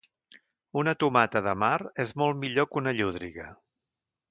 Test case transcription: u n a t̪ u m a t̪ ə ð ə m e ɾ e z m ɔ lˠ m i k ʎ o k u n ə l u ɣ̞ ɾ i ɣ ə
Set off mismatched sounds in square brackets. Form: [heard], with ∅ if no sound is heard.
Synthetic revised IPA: u n [ə] t̪ u m a t̪ ə ð ə m [a] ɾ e z m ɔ lˠ m i [∅] ʎ o k u n ə [ʎ] u [ð̞] ɾ i ɣ ə